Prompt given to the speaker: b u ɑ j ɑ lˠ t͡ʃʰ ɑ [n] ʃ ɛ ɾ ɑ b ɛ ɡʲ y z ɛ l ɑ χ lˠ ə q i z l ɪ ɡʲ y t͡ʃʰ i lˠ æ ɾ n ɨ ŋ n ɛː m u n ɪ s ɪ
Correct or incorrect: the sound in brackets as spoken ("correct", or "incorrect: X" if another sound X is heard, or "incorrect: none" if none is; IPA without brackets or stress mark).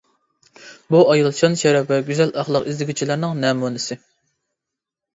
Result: correct